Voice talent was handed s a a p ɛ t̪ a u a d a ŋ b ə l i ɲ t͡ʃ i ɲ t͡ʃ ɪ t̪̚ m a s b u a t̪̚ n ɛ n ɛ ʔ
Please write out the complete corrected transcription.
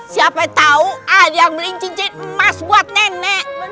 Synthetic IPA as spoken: s i a p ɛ t̪ a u a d a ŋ b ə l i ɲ t͡ʃ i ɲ t͡ʃ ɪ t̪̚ m a s b u a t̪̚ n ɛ n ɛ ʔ